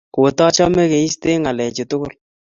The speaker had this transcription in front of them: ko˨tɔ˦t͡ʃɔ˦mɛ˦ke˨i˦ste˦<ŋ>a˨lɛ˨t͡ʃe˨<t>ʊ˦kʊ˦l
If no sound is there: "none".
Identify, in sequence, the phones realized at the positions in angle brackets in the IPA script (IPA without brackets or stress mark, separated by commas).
ŋ, t